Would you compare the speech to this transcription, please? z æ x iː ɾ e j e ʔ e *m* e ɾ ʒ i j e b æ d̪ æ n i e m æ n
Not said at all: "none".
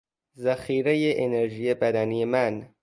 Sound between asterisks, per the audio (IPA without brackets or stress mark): n